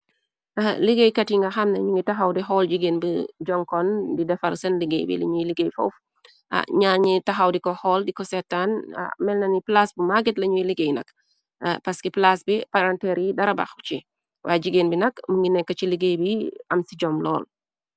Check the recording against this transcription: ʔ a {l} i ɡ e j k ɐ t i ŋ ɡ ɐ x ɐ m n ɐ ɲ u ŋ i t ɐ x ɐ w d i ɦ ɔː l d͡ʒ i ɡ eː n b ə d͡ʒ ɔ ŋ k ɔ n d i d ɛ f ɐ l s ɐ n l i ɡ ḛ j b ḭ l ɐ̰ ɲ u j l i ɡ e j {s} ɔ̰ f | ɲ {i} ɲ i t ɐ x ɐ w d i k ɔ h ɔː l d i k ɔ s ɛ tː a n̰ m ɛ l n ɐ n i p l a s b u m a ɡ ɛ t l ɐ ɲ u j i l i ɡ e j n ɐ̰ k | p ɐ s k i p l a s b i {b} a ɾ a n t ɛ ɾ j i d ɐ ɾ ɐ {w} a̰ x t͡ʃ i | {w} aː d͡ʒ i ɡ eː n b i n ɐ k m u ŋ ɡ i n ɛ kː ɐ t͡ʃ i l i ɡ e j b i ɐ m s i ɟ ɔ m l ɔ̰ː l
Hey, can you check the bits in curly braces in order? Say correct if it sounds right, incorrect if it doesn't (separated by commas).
correct, incorrect, incorrect, incorrect, incorrect, correct